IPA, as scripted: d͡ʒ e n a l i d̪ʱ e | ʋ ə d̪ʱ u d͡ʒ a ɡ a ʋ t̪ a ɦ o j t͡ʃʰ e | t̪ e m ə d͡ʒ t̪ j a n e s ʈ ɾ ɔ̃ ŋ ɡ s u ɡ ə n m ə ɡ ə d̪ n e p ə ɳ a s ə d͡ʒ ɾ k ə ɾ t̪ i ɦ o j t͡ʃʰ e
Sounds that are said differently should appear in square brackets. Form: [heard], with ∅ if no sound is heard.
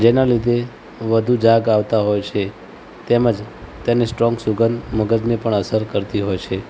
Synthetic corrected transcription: d͡ʒ e n a l i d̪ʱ e | ʋ ə d̪ʱ u d͡ʒ a ɡ a ʋ t̪ a ɦ o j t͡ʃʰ e | t̪ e m ə d͡ʒ t̪ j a n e s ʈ ɾ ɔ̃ ŋ ɡ s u ɡ ə n m ə ɡ ə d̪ n e p ə ɳ [ə] s ə [∅] ɾ k ə ɾ t̪ i ɦ o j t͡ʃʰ e